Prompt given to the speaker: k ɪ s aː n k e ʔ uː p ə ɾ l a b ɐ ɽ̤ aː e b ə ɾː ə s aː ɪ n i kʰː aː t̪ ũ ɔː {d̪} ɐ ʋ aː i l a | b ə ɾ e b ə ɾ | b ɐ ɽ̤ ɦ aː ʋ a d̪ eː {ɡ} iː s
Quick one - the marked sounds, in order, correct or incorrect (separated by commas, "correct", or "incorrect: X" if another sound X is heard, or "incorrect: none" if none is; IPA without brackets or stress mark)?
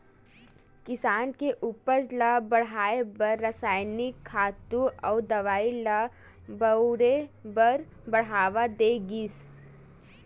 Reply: correct, correct